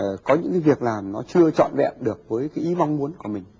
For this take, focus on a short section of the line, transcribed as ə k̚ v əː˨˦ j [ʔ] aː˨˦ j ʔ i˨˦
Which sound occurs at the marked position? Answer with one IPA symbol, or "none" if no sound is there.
k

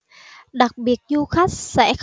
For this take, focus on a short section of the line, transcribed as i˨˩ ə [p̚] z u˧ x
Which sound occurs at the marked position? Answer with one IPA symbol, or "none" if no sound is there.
t̚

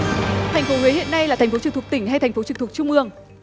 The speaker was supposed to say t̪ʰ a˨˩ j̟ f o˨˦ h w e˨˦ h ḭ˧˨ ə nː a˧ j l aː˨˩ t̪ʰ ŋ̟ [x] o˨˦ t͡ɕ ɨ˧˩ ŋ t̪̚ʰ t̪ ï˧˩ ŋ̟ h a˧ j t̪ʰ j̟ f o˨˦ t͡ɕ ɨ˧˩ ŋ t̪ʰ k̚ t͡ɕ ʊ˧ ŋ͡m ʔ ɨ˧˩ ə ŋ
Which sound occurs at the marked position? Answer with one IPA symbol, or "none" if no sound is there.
f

